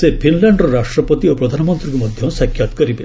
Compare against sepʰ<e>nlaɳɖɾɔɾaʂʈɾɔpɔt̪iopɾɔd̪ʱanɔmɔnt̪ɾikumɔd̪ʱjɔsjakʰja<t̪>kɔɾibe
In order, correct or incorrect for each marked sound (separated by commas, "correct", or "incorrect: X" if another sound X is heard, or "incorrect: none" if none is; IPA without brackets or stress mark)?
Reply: incorrect: i, correct